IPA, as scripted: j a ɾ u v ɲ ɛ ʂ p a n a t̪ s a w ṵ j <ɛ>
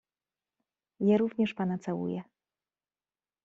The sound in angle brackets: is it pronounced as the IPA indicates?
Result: yes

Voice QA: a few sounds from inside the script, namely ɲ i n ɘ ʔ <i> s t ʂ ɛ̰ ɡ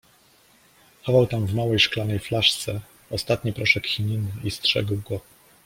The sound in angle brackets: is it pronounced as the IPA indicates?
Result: yes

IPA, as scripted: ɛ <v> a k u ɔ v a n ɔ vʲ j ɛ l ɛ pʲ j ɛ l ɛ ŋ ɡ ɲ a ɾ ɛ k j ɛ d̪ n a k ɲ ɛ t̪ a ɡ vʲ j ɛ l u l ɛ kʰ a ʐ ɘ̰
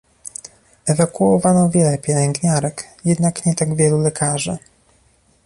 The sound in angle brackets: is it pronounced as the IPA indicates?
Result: yes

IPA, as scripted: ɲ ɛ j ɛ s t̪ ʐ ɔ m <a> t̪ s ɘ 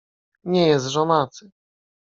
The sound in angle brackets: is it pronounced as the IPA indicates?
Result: yes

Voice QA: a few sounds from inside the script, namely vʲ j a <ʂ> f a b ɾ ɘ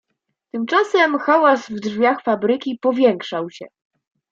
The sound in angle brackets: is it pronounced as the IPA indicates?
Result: no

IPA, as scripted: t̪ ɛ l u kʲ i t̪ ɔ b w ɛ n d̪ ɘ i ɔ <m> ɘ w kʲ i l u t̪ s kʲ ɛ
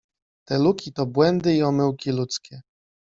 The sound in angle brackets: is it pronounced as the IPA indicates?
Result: yes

